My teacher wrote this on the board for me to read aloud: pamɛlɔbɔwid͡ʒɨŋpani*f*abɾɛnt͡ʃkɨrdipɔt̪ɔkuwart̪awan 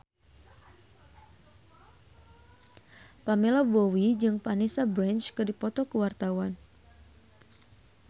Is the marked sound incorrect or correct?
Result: incorrect